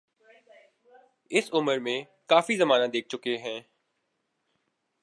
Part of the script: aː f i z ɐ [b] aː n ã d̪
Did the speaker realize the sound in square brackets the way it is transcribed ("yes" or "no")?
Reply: no